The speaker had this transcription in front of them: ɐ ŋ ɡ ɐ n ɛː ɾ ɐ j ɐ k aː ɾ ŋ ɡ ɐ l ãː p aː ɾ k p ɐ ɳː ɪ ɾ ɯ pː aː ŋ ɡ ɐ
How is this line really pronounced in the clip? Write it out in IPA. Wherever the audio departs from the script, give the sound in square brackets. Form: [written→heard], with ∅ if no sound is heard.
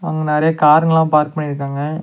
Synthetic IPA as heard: ɐ ŋ ɡ ɐ n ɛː ɾ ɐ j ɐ k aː ɾ ŋ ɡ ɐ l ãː p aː ɾ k p ɐ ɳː ɪ ɾ ɯ [pː→kː] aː ŋ ɡ ɐ

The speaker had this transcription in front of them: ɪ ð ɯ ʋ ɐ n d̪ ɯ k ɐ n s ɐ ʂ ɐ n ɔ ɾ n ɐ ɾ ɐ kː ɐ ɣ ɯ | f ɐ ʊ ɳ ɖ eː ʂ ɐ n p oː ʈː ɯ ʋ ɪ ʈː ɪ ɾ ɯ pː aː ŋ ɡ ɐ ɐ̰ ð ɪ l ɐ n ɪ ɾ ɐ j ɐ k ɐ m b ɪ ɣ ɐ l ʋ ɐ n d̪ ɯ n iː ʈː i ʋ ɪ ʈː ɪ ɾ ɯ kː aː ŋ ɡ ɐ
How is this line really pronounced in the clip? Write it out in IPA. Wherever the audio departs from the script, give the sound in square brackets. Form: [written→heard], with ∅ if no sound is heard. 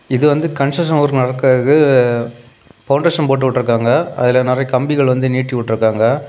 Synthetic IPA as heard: ɪ ð ɯ ʋ ɐ n d̪ ɯ k ɐ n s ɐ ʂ ɐ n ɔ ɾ n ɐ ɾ ɐ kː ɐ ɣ ɯ | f ɐ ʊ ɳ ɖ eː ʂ ɐ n p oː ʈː ɯ ʋ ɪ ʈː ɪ ɾ ɯ [pː→kː] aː ŋ ɡ ɐ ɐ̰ ð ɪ l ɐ n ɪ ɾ ɐ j ɐ k ɐ m b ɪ ɣ ɐ [l→ɭ] ʋ ɐ n d̪ ɯ n iː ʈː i ʋ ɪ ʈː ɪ ɾ ɯ kː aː ŋ ɡ ɐ

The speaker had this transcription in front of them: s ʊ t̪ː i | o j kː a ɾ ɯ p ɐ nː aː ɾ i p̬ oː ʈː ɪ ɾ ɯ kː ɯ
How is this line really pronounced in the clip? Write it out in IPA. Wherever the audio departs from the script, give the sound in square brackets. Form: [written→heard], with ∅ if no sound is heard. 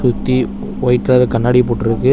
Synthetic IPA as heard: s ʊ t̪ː i | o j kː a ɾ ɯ [p→k] ɐ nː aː [ɾ→ɽ] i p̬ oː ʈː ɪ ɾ ɯ kː ɯ

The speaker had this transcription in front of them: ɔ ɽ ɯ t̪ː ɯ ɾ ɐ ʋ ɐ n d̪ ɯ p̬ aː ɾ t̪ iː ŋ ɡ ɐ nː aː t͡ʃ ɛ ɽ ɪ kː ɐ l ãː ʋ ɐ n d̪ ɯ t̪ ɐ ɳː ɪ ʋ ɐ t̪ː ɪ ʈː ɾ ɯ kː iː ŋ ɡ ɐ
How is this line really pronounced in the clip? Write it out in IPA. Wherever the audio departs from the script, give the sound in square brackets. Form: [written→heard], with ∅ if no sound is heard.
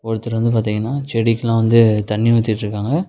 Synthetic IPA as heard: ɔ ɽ ɯ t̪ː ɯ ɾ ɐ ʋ ɐ n d̪ ɯ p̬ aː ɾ t̪ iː ŋ ɡ ɐ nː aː t͡ʃ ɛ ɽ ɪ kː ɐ l ãː ʋ ɐ n d̪ ɯ t̪ ɐ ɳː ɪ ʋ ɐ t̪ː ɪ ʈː ɾ ɯ kː [iː→aː] ŋ ɡ ɐ

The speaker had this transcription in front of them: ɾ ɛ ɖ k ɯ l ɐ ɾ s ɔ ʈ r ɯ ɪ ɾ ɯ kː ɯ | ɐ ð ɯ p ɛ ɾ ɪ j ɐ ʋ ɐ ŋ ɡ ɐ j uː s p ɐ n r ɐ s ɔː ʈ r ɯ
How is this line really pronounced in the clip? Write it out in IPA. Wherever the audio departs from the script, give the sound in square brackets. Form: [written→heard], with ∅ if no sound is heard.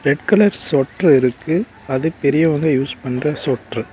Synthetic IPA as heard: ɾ ɛ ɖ k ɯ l ɐ ɾ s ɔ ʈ r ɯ ɪ ɾ ɯ kː ɯ | ɐ ð ɯ p ɛ ɾ ɪ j ɐ ʋ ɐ ŋ ɡ ɐ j uː s p ɐ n r ɐ s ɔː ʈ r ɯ

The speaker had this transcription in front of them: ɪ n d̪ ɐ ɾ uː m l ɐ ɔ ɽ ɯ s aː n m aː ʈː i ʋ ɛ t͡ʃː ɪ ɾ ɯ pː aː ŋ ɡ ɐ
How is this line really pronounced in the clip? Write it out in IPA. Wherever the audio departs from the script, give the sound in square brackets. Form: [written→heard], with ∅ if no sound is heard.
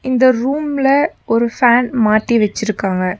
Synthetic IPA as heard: ɪ n d̪ ɐ ɾ uː m l ɐ ɔ [ɽ→ɾ] ɯ [s→f] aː n m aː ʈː i ʋ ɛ t͡ʃː ɪ ɾ ɯ [pː→kː] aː ŋ ɡ ɐ

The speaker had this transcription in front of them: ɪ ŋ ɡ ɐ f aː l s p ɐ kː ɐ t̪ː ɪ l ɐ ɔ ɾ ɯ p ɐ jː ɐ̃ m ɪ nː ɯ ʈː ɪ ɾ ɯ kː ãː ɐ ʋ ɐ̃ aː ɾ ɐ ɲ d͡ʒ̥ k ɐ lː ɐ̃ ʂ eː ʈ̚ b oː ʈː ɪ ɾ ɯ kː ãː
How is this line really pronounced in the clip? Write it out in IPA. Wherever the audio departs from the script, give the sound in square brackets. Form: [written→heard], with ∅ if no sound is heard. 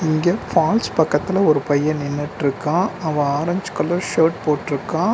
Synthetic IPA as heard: ɪ ŋ ɡ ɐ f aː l s p ɐ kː ɐ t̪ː ɪ l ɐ ɔ ɾ ɯ p ɐ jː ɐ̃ [m→n] ɪ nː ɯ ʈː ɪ ɾ ɯ kː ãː ɐ ʋ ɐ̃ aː ɾ ɐ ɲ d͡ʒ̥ k ɐ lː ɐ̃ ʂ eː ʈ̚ [b→p] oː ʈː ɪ ɾ ɯ kː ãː

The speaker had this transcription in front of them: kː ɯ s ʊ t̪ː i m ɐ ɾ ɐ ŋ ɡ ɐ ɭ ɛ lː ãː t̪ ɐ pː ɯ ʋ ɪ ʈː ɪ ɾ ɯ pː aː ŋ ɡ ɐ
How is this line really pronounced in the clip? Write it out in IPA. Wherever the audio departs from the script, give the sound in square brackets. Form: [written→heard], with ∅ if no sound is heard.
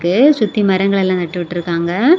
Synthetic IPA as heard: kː ɯ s ʊ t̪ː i m ɐ ɾ ɐ ŋ ɡ ɐ ɭ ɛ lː ãː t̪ ɐ [pː→ʈː] ɯ ʋ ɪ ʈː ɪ ɾ ɯ [pː→kː] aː ŋ ɡ ɐ

